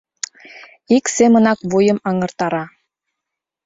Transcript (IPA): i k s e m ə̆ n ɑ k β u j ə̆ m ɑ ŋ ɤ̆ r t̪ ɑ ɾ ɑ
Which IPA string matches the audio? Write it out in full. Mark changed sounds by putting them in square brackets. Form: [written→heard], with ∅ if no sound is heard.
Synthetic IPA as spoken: i k s e m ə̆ n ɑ k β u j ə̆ m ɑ ŋ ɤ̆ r t̪ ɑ ɾ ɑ